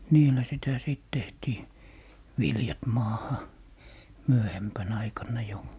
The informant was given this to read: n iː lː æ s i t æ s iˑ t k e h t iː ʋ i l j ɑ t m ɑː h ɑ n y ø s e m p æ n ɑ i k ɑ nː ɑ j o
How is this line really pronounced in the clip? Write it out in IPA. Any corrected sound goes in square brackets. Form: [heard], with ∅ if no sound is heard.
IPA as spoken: n iː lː æ s i t æ s iˑ t [t] e h t iː ʋ i l j ɑ t m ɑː h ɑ [m] y ø [h] e m p æ n ɑ i k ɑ nː ɑ j o